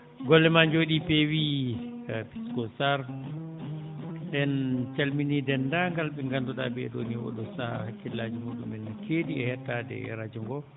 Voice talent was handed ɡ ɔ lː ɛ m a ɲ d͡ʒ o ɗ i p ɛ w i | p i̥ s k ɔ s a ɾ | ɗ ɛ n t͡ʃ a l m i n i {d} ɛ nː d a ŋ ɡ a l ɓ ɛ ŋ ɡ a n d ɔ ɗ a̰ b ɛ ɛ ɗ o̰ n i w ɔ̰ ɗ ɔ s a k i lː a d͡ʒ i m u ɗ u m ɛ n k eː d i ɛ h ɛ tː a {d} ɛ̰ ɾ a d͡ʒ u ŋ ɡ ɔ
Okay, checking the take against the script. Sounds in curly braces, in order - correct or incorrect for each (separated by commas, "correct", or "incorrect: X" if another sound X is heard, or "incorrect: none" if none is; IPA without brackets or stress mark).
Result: correct, correct